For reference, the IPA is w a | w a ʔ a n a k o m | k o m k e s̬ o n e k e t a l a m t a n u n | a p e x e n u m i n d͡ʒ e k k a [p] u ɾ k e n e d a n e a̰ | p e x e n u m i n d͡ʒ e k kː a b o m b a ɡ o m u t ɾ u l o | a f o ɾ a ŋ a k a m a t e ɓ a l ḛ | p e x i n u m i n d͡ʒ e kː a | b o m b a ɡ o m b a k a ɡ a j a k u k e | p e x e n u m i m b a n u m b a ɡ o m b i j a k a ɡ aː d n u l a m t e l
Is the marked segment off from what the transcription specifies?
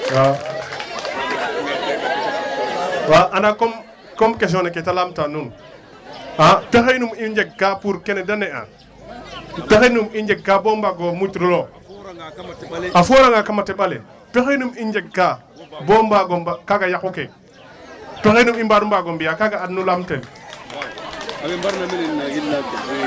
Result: no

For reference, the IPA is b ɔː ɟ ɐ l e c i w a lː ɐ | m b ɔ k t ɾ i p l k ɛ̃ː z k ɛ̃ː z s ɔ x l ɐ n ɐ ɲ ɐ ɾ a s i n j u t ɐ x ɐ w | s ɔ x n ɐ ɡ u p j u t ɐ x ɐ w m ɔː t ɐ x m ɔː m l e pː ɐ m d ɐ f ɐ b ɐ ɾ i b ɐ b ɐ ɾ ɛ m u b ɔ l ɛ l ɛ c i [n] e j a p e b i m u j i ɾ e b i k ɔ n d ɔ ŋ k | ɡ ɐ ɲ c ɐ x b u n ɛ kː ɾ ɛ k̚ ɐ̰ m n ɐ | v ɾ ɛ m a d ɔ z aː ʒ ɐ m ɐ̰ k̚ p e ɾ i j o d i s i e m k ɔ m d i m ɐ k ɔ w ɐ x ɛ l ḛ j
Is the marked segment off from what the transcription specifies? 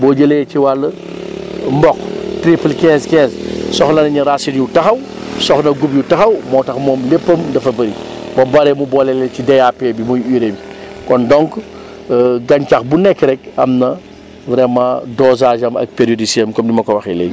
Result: yes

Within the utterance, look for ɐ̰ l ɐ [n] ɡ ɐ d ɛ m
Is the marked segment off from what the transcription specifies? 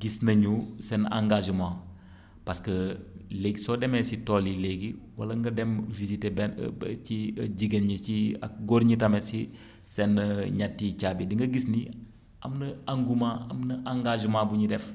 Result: yes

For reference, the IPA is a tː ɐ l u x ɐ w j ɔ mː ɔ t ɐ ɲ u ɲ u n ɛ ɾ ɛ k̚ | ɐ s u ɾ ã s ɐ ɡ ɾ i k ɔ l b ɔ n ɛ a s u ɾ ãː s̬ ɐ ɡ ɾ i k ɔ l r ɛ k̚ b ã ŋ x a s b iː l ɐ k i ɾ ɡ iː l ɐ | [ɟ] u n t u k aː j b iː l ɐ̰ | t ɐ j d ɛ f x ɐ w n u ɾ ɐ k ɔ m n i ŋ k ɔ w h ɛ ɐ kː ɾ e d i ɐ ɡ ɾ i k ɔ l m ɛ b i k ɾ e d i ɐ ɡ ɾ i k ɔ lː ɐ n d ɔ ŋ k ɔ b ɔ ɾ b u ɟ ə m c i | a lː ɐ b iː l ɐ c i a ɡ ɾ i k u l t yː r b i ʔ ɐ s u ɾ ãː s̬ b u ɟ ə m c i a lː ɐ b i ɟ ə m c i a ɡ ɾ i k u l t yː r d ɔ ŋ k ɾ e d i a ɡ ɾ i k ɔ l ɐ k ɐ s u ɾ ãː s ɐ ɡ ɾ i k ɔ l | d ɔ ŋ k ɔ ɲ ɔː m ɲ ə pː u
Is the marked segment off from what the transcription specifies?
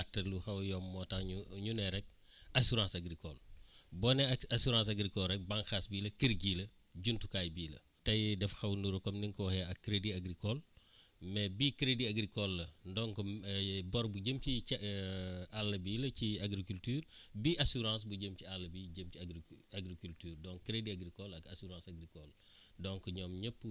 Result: no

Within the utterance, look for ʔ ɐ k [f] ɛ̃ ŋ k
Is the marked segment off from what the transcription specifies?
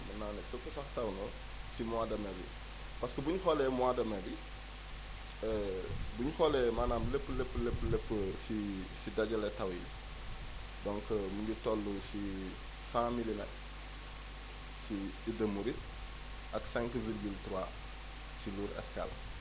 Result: yes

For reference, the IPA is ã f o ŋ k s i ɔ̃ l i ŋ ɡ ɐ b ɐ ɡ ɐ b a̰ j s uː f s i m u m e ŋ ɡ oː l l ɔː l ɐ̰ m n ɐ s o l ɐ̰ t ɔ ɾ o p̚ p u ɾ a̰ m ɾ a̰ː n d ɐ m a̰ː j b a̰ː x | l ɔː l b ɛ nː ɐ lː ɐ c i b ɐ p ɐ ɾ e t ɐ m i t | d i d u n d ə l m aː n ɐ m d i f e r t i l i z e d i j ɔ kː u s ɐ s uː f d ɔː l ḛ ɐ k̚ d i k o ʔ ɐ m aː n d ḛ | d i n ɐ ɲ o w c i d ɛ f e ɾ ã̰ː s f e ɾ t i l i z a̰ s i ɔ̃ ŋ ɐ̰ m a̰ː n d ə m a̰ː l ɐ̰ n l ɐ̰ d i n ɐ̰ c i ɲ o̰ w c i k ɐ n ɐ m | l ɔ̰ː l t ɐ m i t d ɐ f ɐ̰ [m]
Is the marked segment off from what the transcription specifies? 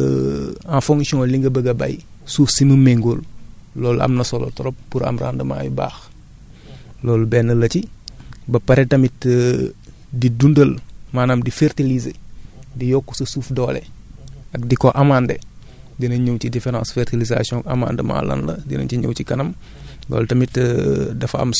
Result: no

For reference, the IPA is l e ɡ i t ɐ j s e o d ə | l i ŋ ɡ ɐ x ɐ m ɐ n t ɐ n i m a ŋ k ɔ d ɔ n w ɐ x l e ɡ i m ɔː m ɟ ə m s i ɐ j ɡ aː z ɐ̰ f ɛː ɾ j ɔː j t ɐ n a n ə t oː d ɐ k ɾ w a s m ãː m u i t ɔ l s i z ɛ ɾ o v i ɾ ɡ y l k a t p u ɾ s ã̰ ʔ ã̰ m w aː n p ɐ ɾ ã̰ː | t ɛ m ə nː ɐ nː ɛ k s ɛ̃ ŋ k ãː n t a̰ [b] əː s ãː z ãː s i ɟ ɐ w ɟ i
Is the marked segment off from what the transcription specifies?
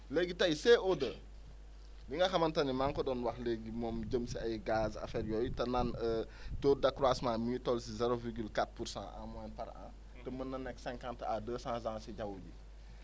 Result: yes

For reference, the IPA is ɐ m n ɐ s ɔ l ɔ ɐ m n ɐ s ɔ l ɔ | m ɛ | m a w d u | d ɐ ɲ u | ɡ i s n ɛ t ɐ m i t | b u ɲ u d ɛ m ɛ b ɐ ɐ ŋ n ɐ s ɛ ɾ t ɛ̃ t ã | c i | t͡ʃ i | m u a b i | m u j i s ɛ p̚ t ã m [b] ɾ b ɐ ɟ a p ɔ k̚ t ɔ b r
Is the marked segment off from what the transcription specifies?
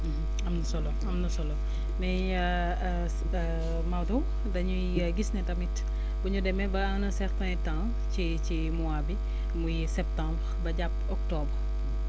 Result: no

